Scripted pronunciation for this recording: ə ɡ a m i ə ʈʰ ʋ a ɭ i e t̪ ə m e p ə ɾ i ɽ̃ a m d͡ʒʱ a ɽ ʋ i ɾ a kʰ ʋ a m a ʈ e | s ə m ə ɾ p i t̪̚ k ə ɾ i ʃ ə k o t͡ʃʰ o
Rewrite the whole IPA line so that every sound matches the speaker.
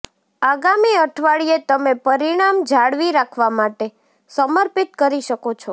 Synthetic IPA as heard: a ɡ a m i ə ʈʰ ʋ a ɭ i e t̪ ə m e p ə ɾ i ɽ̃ a m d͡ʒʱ a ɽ ʋ i ɾ a kʰ ʋ a m a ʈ e | s ə m ə ɾ p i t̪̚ k ə ɾ i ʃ ə k o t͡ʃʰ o

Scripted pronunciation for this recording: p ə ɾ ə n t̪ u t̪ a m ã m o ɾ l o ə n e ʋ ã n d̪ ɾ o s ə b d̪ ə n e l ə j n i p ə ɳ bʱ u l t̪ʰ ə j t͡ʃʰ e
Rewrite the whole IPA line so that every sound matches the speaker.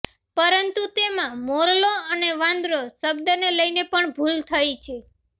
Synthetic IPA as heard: p ə ɾ ə n t̪ u t̪ e m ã m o ɾ l o ə n e ʋ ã n d̪ ɾ o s ə b d̪ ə n e l ə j n e p ə ɳ bʱ u l t̪ʰ ə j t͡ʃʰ e

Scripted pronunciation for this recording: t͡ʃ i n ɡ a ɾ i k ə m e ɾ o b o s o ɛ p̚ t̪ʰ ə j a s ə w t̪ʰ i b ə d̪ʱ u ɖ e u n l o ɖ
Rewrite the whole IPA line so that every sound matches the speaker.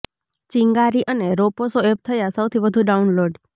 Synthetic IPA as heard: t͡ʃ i ŋ ɡ a ɾ i ʔ ə n e ɾ o p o s o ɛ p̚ t̪ʰ ə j a s ə w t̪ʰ i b ə d̪ʱ u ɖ a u n l o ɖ

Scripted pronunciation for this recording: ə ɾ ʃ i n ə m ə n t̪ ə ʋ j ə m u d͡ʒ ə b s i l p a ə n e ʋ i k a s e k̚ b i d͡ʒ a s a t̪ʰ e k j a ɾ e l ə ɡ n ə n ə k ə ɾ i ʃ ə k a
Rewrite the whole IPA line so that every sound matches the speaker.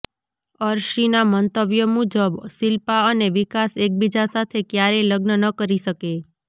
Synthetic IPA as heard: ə ɾ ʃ i n a m ə n t̪ ə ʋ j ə m u d͡ʒ ə b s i l p a ə n e ʋ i k a s e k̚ b i d͡ʒ a s a t̪ʰ e k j a ɾ e l ə ɡ n ə n ə k ə ɾ i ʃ ə k e

